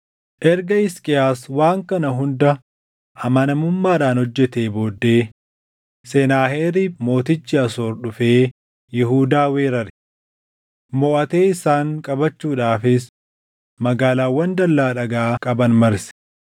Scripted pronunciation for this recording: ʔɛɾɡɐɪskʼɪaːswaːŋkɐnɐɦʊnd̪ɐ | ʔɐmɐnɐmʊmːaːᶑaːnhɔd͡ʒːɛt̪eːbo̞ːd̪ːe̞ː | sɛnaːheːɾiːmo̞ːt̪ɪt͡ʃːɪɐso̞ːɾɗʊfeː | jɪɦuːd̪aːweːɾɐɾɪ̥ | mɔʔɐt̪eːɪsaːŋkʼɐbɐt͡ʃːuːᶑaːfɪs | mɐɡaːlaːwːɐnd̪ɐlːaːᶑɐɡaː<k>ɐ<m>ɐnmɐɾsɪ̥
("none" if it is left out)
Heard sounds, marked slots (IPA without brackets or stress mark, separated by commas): kʼ, b